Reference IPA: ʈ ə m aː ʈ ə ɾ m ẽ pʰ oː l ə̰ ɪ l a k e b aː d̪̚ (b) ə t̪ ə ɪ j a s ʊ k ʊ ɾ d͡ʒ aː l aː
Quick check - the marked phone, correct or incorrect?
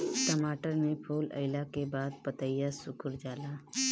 incorrect